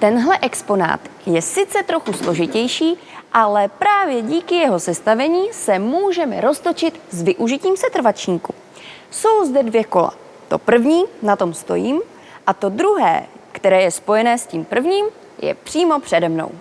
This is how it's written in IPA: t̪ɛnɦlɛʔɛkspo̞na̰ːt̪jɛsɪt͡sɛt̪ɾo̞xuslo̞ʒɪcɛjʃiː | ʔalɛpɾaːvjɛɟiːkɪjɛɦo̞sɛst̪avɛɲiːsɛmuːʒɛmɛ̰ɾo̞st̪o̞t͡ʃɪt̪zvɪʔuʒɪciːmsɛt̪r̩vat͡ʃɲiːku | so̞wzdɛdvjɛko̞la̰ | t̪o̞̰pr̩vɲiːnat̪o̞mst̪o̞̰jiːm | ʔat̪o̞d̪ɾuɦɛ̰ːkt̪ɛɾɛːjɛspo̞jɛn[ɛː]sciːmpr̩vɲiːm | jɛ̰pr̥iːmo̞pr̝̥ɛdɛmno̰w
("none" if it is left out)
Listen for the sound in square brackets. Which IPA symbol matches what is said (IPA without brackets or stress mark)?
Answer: ɛː